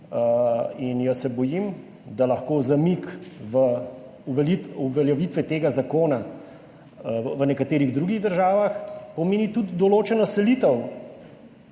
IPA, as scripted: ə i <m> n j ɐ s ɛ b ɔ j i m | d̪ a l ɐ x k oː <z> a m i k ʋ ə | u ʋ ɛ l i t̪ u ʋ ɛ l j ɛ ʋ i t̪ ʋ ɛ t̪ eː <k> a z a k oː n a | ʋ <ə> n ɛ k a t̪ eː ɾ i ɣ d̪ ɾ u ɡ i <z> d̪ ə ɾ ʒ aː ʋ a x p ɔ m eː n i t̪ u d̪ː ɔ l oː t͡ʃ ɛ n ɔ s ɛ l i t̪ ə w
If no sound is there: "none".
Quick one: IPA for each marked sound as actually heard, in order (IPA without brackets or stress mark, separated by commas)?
none, z, ɡ, ə, ɣ